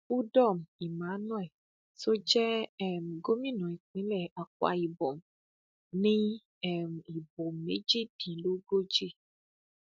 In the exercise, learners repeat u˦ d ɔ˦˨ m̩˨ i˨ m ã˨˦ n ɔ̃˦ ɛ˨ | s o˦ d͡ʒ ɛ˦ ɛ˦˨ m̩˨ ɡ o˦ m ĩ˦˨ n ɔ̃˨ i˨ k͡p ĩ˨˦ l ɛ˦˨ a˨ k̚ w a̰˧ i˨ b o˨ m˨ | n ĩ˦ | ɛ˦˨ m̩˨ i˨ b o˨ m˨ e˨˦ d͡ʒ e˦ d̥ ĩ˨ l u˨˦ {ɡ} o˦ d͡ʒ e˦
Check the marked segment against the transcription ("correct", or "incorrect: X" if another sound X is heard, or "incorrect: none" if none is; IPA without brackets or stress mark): correct